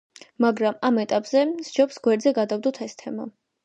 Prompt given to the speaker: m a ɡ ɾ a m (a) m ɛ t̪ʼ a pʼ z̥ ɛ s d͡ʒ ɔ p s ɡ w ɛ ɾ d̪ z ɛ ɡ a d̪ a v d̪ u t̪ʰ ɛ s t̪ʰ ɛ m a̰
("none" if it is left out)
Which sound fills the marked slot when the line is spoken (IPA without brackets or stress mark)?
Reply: a